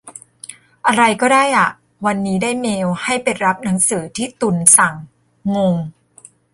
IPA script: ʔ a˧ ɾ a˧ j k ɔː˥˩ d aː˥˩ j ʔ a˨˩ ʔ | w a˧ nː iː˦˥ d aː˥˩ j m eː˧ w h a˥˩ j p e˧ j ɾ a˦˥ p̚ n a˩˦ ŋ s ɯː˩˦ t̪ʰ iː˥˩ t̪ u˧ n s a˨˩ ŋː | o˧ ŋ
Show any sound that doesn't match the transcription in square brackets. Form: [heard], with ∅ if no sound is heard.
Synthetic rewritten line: ʔ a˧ ɾ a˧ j k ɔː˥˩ d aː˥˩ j ʔ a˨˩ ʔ | w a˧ nː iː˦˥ d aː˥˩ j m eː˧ w h a˥˩ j p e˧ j ɾ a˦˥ p̚ n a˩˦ ŋ s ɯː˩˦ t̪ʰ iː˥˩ t̪ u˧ n s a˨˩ ŋː | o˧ ŋ

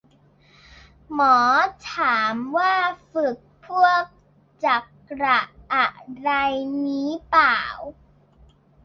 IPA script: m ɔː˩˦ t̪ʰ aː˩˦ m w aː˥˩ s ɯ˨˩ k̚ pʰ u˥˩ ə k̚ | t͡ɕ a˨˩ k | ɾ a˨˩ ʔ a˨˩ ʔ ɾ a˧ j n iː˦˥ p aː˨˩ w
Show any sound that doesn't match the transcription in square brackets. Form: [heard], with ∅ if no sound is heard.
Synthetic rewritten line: m ɔː˩˦ t̪ʰ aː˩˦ m w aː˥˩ [f] ɯ˨˩ k̚ pʰ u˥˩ ə k̚ | t͡ɕ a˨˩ k | ɾ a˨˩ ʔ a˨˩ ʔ ɾ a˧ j n iː˦˥ p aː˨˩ w

